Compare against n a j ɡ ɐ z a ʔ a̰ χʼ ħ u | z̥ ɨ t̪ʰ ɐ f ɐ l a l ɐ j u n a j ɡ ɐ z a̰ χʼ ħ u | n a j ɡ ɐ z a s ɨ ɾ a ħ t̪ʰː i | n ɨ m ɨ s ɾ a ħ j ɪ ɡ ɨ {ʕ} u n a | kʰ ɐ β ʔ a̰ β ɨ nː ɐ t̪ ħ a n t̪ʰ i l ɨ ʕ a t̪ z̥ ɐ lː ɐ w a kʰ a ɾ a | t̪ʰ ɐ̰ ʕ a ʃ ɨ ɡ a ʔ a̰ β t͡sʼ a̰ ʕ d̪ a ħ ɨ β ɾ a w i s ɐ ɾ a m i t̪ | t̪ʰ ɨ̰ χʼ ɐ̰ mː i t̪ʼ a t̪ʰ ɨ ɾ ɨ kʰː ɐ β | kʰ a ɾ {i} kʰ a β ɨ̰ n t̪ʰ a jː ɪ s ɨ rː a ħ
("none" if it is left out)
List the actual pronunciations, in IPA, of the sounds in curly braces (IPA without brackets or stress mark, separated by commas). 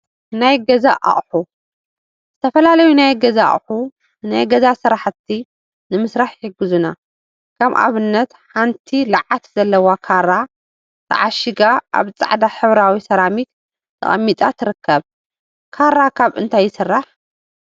z, a